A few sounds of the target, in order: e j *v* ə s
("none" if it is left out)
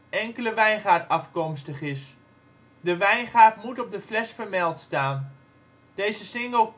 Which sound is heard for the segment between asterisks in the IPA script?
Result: z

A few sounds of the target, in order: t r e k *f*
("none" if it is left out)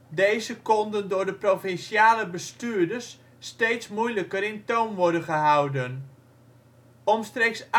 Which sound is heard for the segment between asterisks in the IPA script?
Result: s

